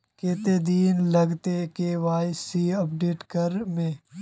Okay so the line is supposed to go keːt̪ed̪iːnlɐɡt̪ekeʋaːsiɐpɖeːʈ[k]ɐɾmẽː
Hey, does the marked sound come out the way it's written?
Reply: yes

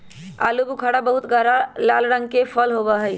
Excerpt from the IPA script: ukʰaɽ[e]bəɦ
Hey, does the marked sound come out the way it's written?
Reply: no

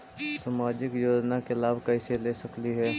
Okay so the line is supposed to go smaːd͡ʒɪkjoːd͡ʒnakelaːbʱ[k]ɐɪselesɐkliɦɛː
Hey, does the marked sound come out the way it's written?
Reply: yes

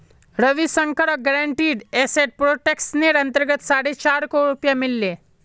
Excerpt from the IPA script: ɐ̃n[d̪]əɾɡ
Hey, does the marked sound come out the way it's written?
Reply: no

